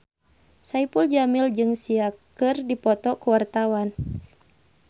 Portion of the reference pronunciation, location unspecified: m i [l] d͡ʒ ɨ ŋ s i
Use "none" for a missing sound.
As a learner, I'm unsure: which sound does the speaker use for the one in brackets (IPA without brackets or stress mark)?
l